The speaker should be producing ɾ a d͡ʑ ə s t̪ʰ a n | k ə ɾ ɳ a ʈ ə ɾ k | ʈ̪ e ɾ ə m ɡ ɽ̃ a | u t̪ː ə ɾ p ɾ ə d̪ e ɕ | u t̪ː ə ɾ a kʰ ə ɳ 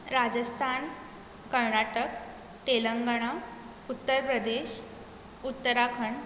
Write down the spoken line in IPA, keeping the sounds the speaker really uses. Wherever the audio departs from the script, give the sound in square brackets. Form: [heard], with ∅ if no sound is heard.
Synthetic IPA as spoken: ɾ a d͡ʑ ə s t̪ʰ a n | k ə ɾ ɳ a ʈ ə [∅] k | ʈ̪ e [l] ə [ŋ] ɡ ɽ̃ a | u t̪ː ə ɾ p ɾ ə d̪ e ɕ | u t̪ː ə ɾ a kʰ ə ɳ